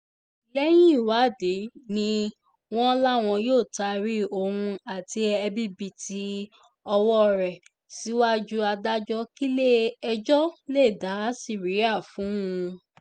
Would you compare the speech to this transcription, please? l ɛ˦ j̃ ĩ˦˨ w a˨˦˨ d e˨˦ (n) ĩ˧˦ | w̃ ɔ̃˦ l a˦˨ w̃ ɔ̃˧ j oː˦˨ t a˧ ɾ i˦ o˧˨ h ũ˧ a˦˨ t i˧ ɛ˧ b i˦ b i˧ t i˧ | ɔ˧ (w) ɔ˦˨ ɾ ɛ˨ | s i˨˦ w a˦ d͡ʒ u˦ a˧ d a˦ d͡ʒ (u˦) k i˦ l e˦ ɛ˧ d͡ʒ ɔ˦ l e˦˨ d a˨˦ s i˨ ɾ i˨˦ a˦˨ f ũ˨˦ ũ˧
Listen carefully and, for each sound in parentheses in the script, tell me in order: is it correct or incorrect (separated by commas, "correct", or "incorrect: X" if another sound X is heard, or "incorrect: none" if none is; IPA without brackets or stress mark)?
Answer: correct, correct, incorrect: ɔ˦